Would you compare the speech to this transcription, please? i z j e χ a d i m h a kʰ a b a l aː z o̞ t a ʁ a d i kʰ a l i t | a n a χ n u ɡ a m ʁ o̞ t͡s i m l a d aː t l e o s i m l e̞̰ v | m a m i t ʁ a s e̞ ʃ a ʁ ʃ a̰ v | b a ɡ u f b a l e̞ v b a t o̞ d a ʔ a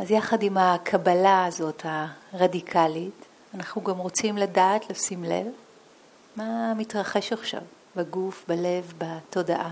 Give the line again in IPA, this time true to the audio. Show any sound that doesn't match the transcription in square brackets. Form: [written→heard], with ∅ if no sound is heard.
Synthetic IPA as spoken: [i→a] z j [e→a] χ a d i m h a kʰ a b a l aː z o̞ t a ʁ a d i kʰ a l i t | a n a χ n u ɡ a m ʁ o̞ t͡s i m l a d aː t l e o s i m l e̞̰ v | m a m i t ʁ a [s→χ] e̞ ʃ a [ʁ→χ] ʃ a̰ v | b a ɡ u f b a l e̞ v b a t o̞ d a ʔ a